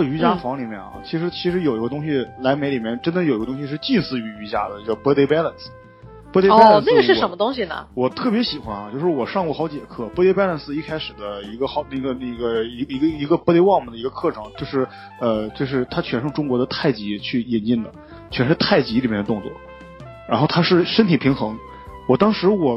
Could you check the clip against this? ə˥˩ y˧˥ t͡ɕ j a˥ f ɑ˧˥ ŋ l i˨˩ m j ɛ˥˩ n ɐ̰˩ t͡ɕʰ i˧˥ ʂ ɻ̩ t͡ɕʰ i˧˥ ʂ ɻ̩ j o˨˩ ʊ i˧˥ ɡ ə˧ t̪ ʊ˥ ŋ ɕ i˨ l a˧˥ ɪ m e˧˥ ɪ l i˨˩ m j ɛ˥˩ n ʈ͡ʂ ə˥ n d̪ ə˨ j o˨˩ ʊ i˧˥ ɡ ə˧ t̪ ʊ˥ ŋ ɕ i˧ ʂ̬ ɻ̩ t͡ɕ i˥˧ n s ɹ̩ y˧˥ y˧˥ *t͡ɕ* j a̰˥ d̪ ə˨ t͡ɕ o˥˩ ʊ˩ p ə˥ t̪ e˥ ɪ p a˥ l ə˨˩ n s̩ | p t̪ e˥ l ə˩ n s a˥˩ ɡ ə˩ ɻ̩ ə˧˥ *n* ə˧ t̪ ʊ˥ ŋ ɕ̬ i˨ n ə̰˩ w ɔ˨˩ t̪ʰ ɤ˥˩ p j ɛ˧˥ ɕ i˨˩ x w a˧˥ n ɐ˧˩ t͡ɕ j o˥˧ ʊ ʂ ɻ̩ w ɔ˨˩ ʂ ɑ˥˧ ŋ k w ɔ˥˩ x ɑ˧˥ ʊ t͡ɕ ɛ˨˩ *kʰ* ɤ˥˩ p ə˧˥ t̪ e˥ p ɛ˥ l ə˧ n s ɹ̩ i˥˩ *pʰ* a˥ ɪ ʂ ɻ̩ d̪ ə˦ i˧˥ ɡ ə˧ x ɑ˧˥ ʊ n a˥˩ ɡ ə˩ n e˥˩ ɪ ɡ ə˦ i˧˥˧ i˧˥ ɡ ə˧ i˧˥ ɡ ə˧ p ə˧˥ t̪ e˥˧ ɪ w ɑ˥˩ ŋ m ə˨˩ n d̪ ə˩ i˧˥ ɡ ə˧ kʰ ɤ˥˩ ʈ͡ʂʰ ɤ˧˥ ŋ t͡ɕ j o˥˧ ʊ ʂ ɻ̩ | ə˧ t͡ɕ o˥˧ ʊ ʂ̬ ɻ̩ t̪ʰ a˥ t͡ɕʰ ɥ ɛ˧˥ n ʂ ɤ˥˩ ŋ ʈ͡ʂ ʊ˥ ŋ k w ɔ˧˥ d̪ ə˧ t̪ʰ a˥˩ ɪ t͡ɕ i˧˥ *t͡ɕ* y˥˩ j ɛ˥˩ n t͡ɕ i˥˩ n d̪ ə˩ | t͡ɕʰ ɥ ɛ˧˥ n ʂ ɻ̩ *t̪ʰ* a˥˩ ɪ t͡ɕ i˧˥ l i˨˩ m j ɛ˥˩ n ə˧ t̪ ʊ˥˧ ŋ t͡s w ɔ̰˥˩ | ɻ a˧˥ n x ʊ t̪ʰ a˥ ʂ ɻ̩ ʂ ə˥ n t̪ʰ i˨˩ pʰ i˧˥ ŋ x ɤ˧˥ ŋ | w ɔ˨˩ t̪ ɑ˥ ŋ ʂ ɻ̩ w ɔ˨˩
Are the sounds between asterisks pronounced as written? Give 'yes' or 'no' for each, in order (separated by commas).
yes, no, yes, no, no, yes